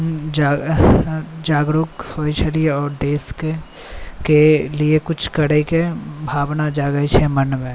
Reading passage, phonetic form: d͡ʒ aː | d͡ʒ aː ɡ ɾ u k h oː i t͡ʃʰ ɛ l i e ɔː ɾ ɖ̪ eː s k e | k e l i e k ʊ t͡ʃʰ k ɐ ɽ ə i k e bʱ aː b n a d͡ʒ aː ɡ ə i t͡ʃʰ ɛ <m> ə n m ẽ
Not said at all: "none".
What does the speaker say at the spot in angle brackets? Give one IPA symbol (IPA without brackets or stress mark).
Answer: m